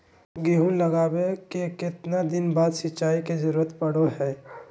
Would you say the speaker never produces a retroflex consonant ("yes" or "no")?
no